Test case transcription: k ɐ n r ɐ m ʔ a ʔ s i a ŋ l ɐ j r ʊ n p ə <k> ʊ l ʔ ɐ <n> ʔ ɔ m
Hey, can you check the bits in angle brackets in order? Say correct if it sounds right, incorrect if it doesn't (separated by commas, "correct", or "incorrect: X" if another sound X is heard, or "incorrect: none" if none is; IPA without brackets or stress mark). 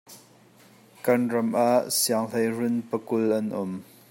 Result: correct, correct